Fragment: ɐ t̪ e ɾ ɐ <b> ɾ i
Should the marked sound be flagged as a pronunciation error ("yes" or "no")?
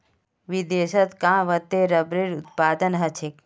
no